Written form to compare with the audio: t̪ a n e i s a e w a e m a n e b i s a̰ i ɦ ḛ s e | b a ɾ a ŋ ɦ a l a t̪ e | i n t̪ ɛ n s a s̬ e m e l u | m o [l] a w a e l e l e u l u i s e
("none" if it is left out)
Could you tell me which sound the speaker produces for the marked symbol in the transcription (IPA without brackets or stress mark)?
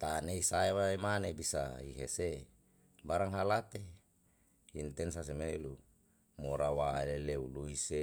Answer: ɾ